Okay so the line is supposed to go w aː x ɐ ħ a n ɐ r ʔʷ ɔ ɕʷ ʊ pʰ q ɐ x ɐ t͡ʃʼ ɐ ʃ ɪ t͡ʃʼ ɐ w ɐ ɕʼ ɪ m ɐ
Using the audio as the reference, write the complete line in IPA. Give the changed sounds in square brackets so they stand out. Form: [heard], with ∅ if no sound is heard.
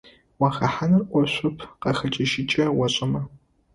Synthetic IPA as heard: w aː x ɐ ħ a n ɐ r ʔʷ ɔ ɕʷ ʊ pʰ q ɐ x ɐ t͡ʃʼ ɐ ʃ ɪ t͡ʃʼ ɐ w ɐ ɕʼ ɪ m ɐ